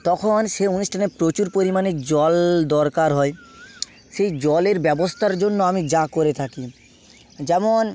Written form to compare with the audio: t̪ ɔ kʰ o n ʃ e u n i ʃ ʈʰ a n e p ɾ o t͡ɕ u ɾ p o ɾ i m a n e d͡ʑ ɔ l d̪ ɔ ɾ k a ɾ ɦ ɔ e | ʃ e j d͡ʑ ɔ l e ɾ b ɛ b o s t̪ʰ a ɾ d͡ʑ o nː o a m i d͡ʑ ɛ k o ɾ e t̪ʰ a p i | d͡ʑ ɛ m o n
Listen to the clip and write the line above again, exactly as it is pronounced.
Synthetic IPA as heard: t̪ ɔ kʰ o n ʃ e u n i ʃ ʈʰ a n e p ɾ o t͡ɕ u ɾ p o ɾ i m a n e d͡ʑ ɔ l d̪ ɔ ɾ k a ɾ ɦ ɔ e | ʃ e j d͡ʑ ɔ l e ɾ b ɛ b o s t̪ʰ a ɾ d͡ʑ o nː o a m i d͡ʑ a k o ɾ e t̪ʰ a k i | d͡ʑ ɛ m o n